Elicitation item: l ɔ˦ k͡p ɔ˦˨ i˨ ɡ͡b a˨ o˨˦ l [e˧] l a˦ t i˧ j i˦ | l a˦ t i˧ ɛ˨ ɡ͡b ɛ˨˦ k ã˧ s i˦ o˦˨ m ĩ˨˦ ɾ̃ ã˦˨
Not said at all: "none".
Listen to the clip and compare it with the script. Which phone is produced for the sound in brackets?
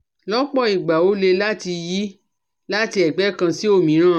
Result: e˧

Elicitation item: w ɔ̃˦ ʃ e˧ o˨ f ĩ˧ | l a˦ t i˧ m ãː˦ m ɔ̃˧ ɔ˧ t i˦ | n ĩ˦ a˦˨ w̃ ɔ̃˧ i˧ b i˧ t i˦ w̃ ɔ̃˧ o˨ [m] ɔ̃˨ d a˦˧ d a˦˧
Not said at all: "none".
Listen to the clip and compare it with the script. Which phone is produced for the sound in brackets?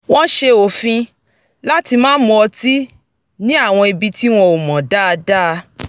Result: m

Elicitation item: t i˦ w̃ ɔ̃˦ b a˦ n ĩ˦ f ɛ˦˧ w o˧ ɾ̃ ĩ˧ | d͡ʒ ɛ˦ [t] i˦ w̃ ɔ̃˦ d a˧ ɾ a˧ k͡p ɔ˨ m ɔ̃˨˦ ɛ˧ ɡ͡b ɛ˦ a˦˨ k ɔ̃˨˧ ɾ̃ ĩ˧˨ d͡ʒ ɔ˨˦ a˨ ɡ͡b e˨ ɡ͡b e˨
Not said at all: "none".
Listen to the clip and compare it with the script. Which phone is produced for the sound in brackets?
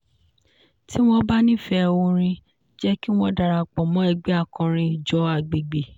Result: k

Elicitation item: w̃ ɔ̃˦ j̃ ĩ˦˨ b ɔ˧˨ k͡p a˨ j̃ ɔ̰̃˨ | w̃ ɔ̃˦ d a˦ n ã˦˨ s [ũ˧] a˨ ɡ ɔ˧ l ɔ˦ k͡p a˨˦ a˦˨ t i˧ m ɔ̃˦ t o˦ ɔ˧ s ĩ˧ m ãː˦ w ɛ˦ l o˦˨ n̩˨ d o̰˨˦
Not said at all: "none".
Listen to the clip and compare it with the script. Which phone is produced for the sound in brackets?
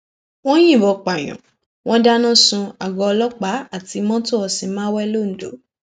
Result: ũ˧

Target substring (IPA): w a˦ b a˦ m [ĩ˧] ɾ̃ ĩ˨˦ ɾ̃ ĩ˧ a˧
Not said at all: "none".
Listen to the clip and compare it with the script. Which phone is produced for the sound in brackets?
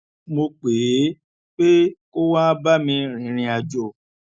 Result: ĩ˧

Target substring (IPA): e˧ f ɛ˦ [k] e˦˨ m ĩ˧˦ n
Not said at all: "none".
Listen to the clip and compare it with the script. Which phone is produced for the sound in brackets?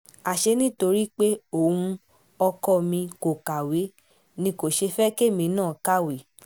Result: k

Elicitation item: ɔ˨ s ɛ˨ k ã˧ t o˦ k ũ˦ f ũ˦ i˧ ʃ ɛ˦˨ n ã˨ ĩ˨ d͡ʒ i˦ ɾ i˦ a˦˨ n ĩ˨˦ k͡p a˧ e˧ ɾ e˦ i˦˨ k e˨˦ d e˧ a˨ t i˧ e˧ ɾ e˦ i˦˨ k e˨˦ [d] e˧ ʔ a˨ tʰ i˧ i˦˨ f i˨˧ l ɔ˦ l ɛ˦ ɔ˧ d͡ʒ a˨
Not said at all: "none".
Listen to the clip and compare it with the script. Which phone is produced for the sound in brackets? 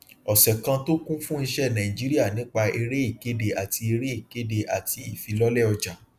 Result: d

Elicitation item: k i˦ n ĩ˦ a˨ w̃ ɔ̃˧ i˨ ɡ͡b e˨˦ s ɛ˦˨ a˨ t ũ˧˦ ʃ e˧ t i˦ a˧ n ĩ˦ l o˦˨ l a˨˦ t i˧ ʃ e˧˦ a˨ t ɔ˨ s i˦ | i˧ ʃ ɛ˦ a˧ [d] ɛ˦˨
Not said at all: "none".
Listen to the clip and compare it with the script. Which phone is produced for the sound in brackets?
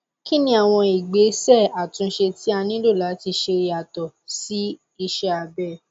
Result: b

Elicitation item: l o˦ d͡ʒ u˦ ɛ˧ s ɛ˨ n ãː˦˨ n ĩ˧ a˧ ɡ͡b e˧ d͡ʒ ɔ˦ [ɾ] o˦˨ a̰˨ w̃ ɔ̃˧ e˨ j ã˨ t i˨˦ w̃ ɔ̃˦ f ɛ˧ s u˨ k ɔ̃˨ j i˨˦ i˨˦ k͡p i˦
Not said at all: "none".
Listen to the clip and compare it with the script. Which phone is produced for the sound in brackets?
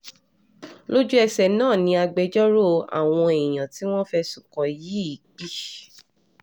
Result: ɾ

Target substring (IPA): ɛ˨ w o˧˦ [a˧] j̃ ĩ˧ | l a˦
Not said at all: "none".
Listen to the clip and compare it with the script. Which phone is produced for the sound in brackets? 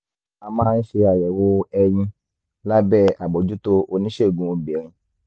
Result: ɛ˧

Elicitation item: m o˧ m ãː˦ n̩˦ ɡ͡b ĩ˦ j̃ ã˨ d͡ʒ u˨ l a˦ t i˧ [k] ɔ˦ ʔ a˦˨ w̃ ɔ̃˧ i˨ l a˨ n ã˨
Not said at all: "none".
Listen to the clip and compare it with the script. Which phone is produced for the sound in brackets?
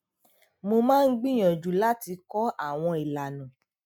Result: k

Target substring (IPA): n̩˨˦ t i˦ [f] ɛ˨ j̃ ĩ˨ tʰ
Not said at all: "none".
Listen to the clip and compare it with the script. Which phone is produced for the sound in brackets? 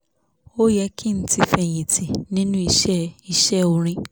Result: f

